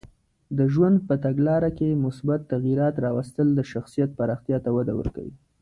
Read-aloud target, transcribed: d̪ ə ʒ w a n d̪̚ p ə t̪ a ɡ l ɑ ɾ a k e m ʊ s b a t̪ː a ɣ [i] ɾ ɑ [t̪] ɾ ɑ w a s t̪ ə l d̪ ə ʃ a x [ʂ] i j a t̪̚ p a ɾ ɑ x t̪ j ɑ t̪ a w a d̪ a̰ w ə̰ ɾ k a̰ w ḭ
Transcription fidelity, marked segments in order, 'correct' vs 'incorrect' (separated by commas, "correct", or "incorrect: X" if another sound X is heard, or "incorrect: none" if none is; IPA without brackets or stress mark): correct, correct, incorrect: s